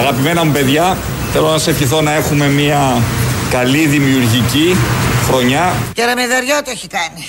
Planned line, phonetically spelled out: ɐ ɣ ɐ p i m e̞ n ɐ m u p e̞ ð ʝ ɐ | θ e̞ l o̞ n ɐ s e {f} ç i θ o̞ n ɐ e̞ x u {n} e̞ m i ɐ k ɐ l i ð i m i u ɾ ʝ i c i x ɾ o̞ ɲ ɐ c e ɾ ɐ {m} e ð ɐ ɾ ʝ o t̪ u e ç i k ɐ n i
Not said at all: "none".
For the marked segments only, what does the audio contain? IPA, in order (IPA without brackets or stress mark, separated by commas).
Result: f, m, m